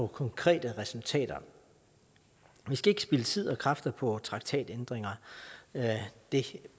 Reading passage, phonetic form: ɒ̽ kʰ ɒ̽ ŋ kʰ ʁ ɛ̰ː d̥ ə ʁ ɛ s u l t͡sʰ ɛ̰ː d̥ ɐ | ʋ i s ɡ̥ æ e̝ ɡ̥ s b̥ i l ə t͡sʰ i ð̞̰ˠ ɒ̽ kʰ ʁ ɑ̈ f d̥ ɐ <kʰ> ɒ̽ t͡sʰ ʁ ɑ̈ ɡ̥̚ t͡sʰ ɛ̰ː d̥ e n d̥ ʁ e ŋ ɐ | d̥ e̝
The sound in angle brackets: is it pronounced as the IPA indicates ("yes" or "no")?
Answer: no